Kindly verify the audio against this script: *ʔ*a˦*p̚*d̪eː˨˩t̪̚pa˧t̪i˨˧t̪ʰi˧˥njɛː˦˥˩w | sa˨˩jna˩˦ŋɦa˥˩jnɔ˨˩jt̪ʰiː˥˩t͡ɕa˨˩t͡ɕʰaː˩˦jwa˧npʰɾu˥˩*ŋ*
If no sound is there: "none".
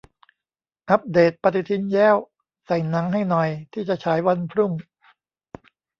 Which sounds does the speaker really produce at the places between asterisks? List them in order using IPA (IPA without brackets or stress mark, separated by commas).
ʔ, p̚, ŋ